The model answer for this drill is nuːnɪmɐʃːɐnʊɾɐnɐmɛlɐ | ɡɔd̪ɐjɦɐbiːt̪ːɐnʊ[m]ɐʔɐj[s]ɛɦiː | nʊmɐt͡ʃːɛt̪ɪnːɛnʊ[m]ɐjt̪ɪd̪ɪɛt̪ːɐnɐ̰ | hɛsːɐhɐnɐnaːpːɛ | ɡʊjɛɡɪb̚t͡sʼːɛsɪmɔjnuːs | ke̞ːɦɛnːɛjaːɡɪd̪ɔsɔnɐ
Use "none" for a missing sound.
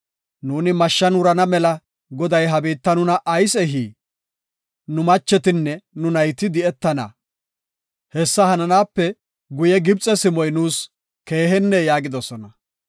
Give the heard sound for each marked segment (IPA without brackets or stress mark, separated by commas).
n, s, n